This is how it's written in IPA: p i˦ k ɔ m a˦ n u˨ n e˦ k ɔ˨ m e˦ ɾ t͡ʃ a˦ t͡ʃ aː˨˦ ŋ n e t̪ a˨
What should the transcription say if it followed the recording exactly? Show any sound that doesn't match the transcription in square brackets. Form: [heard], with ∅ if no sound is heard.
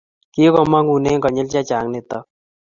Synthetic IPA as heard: [k] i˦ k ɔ m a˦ [ŋ] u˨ n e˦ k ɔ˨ [ɲ] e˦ [l] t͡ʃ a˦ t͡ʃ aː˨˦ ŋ n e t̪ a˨

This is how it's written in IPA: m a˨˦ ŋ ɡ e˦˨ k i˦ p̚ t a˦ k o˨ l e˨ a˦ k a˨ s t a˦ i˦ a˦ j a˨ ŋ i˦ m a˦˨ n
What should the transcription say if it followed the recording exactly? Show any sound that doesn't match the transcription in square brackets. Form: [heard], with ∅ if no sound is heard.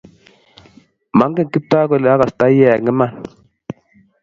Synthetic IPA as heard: m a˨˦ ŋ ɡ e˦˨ k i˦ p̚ t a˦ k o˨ l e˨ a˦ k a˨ s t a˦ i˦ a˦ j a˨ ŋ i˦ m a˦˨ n

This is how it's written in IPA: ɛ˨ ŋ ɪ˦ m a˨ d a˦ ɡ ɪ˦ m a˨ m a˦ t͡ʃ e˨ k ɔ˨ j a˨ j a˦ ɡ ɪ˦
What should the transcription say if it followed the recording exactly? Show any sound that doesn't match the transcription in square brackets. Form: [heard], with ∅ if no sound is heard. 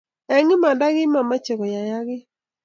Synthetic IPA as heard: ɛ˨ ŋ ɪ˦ m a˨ d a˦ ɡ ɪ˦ m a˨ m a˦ t͡ʃ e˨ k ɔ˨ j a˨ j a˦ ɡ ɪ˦

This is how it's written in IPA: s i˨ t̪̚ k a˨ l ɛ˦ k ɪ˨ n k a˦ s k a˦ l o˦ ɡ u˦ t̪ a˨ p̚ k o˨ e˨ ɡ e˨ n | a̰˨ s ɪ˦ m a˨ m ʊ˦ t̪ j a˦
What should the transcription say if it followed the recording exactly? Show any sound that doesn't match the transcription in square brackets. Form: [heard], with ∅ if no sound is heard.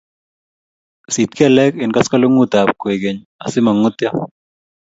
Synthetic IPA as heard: s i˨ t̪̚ k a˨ l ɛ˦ k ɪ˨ n k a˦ s k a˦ l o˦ [ŋ] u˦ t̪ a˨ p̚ k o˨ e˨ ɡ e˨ [ɲ] | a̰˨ s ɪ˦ m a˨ [ŋ] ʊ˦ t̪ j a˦

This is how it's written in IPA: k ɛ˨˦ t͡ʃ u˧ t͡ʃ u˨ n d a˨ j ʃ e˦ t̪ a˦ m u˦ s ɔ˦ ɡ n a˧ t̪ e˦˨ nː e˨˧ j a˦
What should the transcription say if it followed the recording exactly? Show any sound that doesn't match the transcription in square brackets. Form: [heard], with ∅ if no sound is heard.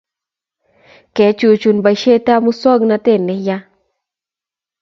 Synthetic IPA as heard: k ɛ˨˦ t͡ʃ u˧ t͡ʃ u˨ n [b] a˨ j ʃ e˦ t̪ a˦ m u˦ s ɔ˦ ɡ n a˧ t̪ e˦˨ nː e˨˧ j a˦

